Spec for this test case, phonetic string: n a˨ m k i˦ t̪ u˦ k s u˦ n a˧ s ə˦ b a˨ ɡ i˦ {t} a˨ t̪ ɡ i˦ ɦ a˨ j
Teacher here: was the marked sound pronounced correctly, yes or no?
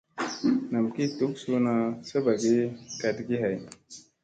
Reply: no